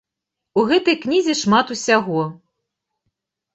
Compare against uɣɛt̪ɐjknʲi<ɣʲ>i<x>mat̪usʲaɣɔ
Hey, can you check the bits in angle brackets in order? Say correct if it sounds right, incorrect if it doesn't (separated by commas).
incorrect, incorrect